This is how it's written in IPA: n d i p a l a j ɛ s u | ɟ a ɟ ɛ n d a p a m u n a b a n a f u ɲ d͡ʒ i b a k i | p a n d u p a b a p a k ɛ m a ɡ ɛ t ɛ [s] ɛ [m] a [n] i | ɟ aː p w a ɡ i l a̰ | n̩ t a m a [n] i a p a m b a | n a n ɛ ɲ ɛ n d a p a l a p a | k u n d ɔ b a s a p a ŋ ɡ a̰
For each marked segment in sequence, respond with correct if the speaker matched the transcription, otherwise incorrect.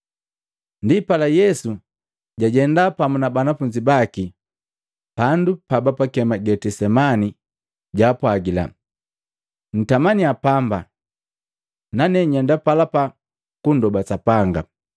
correct, correct, correct, correct

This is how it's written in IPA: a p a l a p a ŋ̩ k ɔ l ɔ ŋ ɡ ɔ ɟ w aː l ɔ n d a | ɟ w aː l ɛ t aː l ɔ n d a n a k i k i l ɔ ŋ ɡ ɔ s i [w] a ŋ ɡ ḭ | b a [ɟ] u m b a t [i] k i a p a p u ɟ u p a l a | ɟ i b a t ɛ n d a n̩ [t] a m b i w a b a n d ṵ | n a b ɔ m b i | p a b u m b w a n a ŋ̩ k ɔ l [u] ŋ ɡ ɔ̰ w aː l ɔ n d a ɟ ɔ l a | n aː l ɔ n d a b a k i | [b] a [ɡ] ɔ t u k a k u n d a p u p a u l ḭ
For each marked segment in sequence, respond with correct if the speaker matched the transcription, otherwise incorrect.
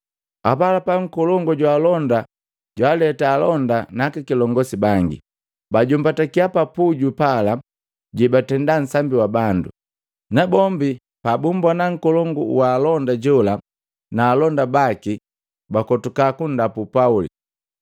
incorrect: b, correct, incorrect: a, incorrect: s, incorrect: ɔ, correct, incorrect: k

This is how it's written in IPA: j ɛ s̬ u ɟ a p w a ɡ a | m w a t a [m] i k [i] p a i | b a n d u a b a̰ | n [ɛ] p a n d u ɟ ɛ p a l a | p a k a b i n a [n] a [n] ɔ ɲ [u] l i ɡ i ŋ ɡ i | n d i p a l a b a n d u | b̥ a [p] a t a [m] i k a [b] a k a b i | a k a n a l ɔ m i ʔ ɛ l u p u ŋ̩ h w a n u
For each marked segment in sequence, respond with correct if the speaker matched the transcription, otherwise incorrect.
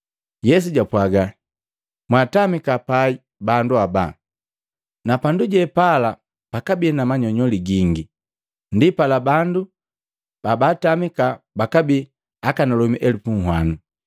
correct, incorrect: a, incorrect: a, incorrect: m, incorrect: ɲ, incorrect: ɔ, incorrect: b, correct, correct

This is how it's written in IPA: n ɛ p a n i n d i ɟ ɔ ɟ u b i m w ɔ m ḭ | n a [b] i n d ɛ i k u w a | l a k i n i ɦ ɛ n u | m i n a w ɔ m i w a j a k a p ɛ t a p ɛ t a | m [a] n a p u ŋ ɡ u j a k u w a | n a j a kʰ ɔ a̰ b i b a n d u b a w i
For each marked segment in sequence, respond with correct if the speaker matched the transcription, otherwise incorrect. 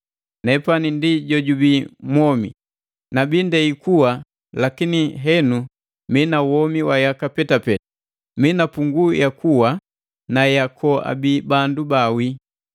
correct, incorrect: i

